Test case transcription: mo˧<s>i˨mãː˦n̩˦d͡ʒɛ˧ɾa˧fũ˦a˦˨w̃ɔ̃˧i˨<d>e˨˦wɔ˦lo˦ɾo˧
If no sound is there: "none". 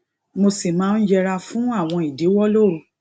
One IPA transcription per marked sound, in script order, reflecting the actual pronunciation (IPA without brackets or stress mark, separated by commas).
s, d